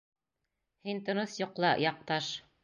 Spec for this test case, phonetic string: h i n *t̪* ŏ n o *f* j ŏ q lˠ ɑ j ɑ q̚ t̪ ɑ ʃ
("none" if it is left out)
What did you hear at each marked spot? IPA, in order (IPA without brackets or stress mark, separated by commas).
t̪, θ